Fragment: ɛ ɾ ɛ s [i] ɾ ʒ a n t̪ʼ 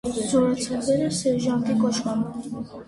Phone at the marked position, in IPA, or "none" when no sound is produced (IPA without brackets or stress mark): ɛ